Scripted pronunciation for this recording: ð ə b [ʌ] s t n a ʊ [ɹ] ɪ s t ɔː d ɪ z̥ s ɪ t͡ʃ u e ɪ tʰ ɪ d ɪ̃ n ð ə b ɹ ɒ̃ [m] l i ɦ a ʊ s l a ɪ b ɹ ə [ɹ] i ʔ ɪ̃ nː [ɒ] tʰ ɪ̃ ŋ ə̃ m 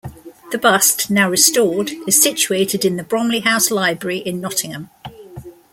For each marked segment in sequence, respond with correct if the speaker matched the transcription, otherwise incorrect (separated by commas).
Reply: correct, correct, correct, correct, correct